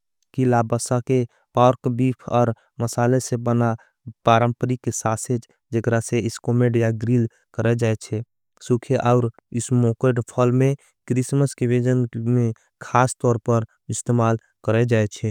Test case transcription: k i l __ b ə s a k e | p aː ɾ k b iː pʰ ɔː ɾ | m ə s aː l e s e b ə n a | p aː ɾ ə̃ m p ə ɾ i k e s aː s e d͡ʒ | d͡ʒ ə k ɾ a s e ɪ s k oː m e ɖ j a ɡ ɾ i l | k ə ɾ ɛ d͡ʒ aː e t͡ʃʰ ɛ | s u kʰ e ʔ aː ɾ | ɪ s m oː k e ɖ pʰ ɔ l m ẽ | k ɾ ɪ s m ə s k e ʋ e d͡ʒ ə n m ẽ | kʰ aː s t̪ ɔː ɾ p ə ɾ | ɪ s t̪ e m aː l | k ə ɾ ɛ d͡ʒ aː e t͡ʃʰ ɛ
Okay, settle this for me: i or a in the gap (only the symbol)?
a